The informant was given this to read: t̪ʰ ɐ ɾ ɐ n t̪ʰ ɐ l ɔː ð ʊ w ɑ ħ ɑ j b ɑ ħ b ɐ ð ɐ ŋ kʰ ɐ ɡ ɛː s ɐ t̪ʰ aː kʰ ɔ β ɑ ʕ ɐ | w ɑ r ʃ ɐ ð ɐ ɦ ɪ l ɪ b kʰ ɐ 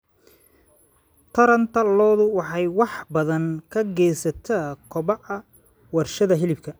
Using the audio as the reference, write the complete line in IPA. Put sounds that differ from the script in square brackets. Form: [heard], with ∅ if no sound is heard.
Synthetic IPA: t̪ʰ ɐ ɾ ɐ n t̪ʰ ɐ l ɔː ð ʊ w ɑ ħ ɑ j [w] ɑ ħ b ɐ ð ɐ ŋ kʰ ɐ ɡ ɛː s ɐ t̪ʰ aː kʰ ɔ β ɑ ʕ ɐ | w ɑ r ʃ ɐ ð ɐ ɦ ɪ l ɪ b kʰ ɐ